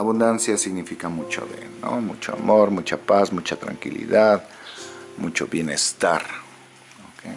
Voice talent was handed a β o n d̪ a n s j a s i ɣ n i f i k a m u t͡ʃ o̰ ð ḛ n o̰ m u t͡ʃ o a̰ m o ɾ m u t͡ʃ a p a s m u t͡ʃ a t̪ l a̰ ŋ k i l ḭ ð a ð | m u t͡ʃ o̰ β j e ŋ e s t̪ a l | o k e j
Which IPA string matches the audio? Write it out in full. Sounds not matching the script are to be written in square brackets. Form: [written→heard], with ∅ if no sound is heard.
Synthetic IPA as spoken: a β [o→u] n d̪ a n s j a s i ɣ n i f i k a m u t͡ʃ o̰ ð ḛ n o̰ m u t͡ʃ o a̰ m o ɾ m u t͡ʃ a p a s m u t͡ʃ a t̪ [l→ɾ] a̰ ŋ k i l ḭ ð a ð | m u t͡ʃ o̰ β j e [ŋ→n] e s t̪ a [l→ɾ] | o k e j